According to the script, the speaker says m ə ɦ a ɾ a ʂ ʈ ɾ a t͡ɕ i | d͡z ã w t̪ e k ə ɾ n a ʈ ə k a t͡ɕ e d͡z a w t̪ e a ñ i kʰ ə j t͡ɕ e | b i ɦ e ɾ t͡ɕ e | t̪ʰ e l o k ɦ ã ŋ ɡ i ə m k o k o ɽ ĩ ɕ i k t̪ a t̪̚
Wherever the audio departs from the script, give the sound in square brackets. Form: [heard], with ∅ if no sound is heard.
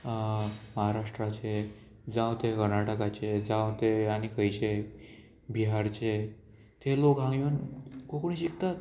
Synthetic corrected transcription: m ə ɦ a ɾ a ʂ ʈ ɾ a t͡ɕ [e] | d͡z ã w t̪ e k ə ɾ n a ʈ ə k a t͡ɕ e d͡z a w t̪ e a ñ i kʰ ə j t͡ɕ e | b i ɦ [a] ɾ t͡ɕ e | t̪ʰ e l o k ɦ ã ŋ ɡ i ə [n] k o k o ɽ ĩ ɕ i k t̪ a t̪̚